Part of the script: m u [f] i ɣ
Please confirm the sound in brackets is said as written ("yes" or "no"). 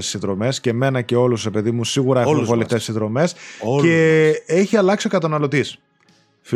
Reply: no